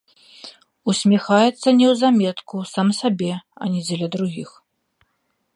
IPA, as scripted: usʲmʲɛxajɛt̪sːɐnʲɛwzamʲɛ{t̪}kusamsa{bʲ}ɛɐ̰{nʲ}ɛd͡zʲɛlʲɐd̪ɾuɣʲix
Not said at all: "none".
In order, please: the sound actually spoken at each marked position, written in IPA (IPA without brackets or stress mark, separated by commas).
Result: t̪, bʲ, nʲ